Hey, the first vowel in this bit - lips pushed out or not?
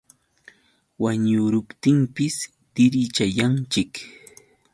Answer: no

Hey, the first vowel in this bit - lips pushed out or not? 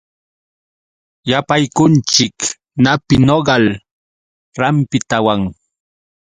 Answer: no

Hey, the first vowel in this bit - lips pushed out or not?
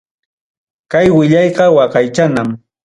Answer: no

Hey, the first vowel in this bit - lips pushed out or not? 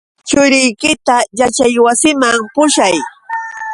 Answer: yes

